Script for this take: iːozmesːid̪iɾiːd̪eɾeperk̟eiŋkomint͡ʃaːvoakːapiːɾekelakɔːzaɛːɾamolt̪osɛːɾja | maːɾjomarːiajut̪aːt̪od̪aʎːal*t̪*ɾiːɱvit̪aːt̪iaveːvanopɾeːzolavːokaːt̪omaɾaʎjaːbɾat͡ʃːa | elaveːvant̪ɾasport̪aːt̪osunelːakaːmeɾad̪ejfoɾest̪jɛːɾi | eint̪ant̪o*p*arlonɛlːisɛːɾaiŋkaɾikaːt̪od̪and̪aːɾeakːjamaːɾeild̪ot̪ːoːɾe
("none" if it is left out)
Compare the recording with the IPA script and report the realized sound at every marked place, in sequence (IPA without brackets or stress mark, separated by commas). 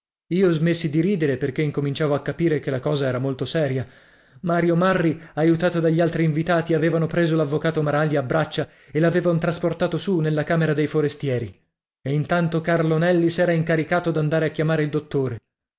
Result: t̪, k